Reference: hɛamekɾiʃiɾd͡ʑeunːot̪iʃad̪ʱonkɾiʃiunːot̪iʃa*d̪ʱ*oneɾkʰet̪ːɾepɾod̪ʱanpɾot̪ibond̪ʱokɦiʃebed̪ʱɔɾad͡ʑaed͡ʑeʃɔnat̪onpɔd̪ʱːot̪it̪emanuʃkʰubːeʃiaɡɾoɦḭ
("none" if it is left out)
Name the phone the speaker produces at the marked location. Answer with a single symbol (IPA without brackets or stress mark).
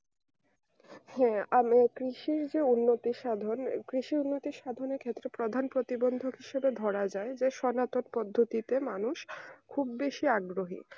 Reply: d̪ʱ